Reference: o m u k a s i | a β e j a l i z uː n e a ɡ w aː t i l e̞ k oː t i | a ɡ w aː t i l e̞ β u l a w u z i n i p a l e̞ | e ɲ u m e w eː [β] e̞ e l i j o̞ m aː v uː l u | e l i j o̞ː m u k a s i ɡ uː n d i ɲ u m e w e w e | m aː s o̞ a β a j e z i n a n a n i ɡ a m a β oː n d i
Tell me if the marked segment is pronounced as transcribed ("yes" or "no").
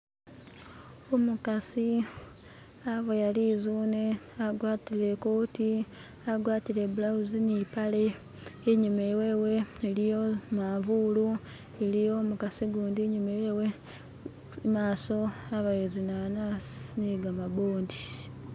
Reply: no